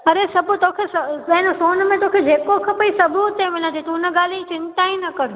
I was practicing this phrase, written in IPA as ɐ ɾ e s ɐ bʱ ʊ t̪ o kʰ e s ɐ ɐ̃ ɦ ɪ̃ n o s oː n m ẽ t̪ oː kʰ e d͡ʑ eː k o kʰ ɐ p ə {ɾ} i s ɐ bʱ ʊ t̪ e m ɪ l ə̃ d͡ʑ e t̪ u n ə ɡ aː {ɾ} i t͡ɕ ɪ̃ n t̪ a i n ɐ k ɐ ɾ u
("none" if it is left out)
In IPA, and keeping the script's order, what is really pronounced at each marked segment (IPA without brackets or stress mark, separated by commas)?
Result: none, l